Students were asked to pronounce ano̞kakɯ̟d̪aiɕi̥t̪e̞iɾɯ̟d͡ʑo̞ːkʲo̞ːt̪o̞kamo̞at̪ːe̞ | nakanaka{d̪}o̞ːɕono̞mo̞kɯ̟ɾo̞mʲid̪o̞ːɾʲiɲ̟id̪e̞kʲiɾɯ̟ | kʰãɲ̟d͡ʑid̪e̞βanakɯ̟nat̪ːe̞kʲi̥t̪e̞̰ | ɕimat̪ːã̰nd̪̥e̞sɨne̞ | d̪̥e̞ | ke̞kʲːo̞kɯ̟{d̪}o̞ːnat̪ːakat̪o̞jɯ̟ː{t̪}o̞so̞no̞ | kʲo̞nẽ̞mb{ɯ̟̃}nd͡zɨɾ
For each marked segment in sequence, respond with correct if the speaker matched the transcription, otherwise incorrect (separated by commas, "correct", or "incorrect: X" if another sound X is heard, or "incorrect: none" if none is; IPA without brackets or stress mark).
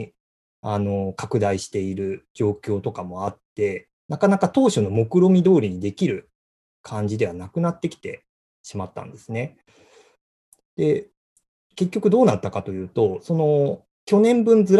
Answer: incorrect: t̪, correct, correct, correct